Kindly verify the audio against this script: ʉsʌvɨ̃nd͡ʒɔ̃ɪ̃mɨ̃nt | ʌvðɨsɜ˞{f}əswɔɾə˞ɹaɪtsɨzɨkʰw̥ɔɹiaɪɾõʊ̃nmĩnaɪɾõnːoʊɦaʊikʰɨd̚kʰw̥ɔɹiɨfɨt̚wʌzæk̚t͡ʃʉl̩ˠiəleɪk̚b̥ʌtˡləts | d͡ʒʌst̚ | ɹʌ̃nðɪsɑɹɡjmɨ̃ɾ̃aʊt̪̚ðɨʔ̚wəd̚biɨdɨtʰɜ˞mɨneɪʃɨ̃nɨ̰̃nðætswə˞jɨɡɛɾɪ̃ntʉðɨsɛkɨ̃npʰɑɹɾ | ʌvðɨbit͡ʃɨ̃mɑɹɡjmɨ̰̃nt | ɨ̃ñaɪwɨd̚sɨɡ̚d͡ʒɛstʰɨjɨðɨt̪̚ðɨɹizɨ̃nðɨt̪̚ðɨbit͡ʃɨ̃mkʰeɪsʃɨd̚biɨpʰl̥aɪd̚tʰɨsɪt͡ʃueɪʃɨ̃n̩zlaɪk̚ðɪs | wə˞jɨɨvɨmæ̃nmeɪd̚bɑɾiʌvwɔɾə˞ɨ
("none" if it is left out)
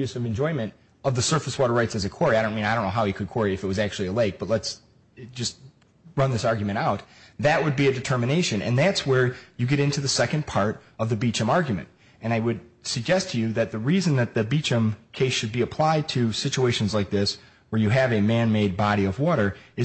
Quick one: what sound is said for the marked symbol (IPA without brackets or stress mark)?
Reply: f